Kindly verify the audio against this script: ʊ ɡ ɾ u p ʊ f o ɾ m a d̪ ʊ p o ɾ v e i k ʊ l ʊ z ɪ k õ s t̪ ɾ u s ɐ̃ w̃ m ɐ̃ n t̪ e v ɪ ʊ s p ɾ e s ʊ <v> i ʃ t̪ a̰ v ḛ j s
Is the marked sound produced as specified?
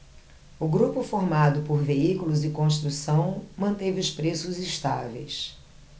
no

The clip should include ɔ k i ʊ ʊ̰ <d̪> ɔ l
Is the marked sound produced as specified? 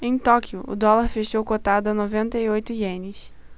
yes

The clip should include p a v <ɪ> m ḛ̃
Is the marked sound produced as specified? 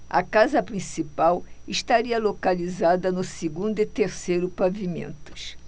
no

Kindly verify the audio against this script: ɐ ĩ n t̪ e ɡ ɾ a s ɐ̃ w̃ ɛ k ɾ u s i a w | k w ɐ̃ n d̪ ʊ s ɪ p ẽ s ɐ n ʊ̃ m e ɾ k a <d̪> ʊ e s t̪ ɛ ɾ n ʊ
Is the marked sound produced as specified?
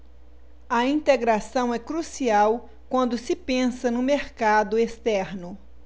yes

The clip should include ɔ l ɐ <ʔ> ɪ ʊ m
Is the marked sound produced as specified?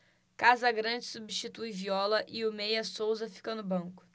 yes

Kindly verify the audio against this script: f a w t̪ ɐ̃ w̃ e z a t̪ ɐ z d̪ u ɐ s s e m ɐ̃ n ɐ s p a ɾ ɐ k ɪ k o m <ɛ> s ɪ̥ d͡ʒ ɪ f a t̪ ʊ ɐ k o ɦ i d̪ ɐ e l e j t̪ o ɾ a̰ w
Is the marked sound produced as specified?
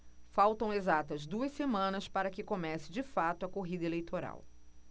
yes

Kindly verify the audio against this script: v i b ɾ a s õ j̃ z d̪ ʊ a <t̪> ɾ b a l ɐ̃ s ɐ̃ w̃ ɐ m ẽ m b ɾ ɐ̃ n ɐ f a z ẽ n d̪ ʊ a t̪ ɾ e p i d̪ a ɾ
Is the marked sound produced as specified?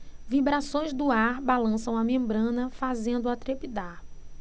no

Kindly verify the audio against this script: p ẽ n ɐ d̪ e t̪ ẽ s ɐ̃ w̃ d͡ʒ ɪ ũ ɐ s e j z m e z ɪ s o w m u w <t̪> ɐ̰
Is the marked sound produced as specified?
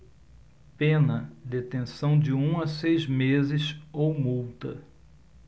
yes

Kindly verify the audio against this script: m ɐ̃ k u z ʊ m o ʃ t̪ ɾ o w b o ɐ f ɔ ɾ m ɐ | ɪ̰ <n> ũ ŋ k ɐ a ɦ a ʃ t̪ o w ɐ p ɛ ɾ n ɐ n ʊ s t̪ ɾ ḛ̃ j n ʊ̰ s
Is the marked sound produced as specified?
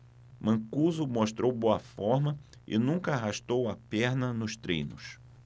yes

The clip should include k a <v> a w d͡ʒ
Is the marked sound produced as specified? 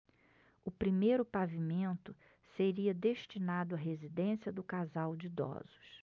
no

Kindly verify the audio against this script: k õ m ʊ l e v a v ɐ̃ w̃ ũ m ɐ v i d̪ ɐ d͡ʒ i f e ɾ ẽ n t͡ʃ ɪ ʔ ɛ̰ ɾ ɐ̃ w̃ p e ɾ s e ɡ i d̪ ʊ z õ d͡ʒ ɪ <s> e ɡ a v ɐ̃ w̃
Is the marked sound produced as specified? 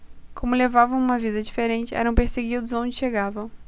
no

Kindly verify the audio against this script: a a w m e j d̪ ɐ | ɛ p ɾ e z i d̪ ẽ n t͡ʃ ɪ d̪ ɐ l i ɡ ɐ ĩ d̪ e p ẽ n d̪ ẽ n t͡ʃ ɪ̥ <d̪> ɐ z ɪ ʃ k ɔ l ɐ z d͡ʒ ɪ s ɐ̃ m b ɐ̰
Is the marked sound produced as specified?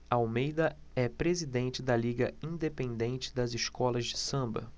yes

